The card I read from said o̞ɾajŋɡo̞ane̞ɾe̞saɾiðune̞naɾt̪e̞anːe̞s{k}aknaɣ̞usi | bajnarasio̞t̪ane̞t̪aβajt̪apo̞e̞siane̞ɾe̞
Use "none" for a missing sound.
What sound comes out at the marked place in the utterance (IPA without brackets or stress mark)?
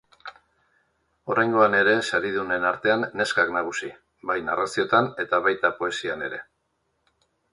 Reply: k